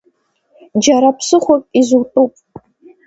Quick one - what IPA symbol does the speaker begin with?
d͡ʒ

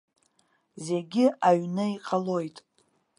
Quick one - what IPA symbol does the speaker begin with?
z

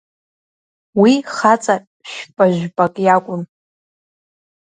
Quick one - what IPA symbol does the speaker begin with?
w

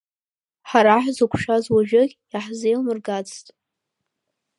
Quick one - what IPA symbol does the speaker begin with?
ħ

